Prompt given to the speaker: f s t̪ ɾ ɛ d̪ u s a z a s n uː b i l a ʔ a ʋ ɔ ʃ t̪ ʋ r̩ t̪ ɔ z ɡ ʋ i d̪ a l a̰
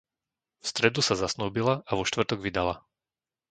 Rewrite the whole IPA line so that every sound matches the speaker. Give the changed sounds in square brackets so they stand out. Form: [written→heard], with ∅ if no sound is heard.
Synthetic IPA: f s t̪ ɾ ɛ d̪ u s a z a s n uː b i l a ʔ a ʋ ɔ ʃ t̪ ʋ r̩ t̪ ɔ [z→∅] ɡ ʋ i d̪ a l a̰